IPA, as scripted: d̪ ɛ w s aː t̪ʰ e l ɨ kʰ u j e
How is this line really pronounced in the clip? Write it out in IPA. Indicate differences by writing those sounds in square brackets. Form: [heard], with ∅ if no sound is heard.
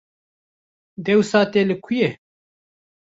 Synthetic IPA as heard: d̪ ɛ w s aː [t̪] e l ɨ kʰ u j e